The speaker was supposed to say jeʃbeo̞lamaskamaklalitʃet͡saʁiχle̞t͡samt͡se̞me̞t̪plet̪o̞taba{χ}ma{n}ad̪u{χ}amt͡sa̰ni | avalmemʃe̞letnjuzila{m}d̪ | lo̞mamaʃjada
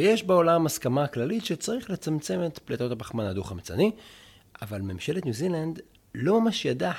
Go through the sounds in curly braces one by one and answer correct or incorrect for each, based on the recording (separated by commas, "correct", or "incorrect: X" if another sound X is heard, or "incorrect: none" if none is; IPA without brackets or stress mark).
correct, correct, correct, incorrect: n